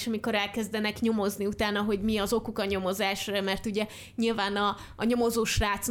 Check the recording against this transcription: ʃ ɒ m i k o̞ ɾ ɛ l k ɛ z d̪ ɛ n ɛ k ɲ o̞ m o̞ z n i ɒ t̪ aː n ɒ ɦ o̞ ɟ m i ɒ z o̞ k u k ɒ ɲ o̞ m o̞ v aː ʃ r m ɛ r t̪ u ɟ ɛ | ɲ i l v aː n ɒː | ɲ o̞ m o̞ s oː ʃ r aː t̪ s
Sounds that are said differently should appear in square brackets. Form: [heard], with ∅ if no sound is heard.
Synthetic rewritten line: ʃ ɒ m i k o̞ ɾ ɛ l k ɛ z d̪ ɛ n ɛ k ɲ o̞ m o̞ z n i [u] t̪ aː n ɒ ɦ o̞ ɟ m i ɒ z o̞ k u k ɒ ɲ o̞ m o̞ [z] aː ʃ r m ɛ r t̪ u ɟ ɛ | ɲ i l v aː n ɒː | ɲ o̞ m o̞ [z] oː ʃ r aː t̪ s